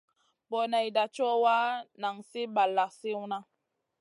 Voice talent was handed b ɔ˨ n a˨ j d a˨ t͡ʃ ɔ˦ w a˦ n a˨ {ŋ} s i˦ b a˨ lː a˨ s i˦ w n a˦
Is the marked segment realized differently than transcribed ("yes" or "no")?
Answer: no